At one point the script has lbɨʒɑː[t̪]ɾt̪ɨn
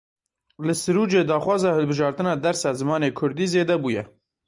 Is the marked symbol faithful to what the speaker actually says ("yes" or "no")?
no